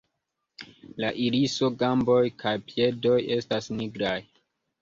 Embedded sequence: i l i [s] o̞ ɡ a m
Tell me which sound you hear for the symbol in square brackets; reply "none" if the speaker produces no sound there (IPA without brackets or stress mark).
s